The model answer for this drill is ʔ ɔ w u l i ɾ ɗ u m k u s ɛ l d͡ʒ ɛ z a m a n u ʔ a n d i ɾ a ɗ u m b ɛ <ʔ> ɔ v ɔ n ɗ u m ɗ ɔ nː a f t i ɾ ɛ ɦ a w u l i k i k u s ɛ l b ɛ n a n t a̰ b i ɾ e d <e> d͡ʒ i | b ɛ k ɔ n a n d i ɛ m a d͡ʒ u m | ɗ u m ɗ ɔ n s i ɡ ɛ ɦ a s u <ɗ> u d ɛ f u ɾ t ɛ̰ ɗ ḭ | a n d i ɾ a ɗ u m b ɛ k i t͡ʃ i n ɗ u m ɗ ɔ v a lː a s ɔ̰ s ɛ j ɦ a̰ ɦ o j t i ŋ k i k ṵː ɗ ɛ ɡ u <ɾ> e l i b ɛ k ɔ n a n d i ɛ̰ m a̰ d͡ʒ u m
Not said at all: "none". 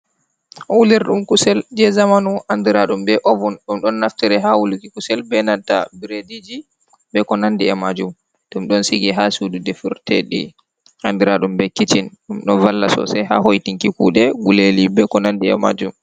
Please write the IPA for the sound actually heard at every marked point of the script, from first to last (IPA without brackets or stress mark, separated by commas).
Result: ʔ, i, d, l